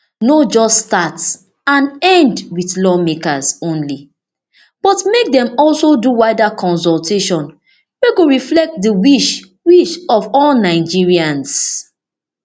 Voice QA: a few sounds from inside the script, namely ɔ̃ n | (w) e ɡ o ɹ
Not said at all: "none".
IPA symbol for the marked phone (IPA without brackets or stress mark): w